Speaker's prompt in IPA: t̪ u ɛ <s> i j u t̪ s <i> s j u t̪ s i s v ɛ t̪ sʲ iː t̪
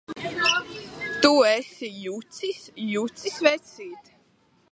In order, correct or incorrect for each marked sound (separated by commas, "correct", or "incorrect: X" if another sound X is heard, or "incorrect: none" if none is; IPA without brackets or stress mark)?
correct, correct